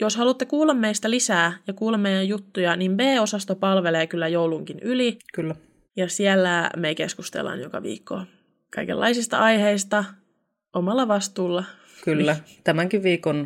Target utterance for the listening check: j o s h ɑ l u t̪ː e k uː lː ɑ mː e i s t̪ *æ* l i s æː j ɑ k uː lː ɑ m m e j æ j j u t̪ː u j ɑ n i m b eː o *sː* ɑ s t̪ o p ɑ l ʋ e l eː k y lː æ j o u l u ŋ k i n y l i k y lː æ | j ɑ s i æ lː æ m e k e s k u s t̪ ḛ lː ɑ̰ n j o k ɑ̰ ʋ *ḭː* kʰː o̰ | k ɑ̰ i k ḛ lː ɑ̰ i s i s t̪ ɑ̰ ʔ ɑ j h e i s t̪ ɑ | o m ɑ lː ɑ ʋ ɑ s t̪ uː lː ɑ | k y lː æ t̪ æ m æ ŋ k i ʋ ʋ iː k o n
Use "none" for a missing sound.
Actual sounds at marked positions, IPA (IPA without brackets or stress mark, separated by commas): æ, s, ḭː